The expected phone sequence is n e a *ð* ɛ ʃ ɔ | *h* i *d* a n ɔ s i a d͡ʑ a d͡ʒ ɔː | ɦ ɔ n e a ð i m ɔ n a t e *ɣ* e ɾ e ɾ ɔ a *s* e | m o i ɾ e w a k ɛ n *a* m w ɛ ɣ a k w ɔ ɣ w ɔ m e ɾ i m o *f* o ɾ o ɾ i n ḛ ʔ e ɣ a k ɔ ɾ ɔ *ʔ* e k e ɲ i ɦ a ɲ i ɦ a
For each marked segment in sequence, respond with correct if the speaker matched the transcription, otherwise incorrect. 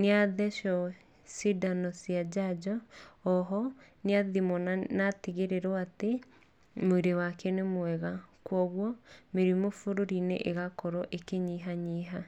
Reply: correct, incorrect: s, correct, correct, incorrect: t, incorrect: e, correct, correct

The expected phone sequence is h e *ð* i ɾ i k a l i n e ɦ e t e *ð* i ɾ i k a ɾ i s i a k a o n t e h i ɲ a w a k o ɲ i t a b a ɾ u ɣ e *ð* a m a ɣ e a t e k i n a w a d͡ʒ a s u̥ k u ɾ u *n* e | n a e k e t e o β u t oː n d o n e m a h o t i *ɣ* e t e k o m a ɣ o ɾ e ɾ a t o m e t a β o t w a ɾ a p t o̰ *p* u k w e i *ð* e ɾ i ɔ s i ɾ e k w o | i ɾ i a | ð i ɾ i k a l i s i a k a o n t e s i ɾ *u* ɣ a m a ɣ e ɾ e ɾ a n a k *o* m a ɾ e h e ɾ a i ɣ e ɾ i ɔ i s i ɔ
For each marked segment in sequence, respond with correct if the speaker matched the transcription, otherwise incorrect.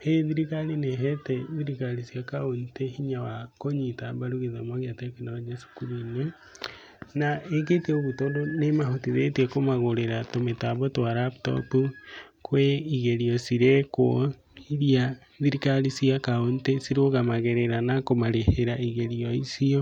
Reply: correct, correct, correct, correct, incorrect: ð, correct, incorrect: ɣ, incorrect: o, correct

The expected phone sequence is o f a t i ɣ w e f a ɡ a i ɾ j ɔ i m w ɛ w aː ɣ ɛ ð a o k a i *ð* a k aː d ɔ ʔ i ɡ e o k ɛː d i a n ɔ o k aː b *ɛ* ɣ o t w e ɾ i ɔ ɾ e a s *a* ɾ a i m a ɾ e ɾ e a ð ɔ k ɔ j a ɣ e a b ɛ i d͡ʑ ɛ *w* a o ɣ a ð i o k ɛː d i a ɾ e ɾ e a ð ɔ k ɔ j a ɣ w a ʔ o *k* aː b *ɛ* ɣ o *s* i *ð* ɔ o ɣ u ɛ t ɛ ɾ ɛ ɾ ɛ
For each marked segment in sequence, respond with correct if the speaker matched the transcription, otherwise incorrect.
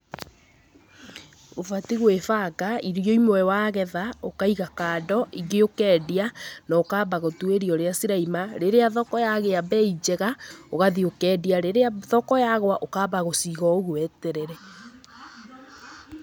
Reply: incorrect: ɣ, incorrect: a, incorrect: i, incorrect: ɣ, correct, incorrect: a, correct, incorrect: ɣ

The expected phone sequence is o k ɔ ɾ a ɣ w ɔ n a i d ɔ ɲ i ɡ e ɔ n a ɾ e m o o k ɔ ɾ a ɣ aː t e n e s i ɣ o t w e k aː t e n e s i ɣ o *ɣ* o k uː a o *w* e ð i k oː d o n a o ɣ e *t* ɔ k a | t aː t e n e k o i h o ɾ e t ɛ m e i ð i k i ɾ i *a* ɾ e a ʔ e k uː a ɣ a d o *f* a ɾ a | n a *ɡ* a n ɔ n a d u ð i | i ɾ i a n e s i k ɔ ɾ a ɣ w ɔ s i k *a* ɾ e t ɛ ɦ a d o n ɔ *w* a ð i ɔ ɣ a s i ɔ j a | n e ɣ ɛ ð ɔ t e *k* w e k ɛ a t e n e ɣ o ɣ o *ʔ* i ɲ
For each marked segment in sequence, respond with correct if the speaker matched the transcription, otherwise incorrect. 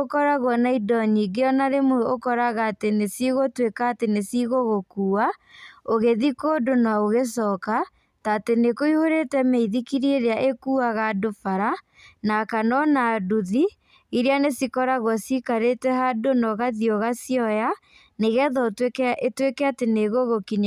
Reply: correct, incorrect: ɣ, incorrect: s, incorrect: e, correct, incorrect: k, correct, incorrect: ɣ, incorrect: t, incorrect: k

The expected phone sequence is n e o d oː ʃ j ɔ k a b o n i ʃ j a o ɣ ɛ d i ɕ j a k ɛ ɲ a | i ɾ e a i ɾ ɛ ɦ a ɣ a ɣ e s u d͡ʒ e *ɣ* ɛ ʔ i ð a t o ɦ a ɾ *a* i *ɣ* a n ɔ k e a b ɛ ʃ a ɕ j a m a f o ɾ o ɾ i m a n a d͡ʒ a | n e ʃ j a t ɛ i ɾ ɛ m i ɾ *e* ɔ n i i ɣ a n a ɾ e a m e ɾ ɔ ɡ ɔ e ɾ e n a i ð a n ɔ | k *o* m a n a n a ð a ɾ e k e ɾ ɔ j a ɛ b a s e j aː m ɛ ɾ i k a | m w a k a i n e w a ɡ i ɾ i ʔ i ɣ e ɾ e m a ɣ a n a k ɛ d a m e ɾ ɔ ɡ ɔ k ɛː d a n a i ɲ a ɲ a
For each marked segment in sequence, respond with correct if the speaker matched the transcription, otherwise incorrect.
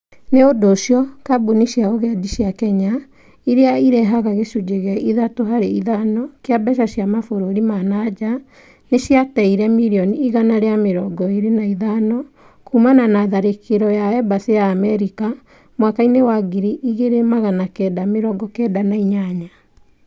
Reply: correct, incorrect: e, incorrect: ð, incorrect: i, incorrect: u

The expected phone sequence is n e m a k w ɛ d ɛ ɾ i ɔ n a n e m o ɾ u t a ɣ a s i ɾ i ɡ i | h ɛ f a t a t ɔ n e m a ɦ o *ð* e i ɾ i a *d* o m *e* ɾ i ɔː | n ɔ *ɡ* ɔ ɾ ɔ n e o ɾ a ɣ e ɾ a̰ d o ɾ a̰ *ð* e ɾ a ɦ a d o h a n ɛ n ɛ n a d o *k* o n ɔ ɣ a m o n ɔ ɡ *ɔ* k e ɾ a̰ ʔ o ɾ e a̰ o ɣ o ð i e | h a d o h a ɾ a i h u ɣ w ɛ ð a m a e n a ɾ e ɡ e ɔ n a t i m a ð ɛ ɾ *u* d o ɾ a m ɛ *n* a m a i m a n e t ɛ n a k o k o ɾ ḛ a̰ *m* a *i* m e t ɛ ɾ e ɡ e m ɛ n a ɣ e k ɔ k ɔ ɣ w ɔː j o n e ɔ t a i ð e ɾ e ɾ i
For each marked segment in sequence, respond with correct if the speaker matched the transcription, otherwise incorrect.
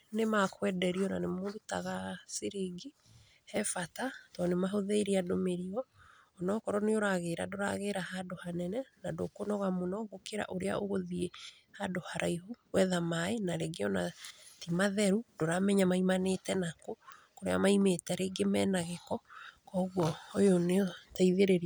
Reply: correct, correct, correct, incorrect: k, incorrect: ɣ, correct, incorrect: o, correct, incorrect: ɲ, correct, correct

